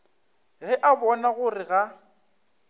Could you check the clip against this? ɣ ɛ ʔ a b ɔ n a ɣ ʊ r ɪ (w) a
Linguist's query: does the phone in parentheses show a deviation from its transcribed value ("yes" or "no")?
yes